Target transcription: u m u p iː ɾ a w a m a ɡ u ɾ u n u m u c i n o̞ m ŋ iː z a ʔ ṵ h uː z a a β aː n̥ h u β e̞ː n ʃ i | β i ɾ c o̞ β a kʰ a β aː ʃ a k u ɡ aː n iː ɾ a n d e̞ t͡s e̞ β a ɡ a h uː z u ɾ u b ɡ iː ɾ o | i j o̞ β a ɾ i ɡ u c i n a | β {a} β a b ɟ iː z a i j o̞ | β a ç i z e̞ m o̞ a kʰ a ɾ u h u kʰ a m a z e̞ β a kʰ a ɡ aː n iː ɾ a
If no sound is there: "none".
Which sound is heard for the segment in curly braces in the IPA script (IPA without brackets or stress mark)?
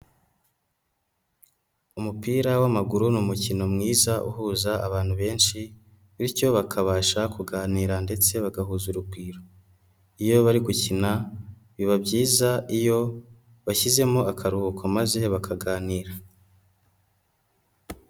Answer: i